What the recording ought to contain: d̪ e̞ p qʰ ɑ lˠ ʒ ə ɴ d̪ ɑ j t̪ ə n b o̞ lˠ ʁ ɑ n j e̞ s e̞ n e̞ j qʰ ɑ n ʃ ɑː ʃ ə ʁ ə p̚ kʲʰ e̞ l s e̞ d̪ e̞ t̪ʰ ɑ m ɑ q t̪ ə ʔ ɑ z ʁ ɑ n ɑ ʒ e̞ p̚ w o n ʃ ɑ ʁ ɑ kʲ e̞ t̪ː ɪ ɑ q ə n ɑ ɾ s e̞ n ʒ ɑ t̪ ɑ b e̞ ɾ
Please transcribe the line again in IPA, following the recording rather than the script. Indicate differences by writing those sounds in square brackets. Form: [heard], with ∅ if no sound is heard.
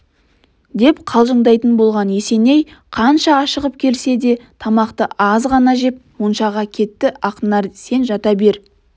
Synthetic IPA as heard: d̪ e̞ p qʰ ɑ lˠ ʒ ə ɴ d̪ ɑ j t̪ ə n b o̞ lˠ ʁ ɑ n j e̞ s e̞ n e̞ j qʰ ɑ n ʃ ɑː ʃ ə ʁ ə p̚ kʲʰ e̞ l s e̞ d̪ e̞ t̪ʰ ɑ m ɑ q t̪ ə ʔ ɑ z ʁ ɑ n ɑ ʒ e̞ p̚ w o n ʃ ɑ ʁ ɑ [kʲʰ] e̞ t̪ː ɪ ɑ q ə n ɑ ɾ s e̞ n ʒ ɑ t̪ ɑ b e̞ ɾ